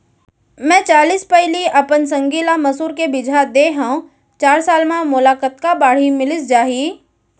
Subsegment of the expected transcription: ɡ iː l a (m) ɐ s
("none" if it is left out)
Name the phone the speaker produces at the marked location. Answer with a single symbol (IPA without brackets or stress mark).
m